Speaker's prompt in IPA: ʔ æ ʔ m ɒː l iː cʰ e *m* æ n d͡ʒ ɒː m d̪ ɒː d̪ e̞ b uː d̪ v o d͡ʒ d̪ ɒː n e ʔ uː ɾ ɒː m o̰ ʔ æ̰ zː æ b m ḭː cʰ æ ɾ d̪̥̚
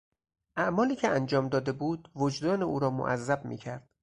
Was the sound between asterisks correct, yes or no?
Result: no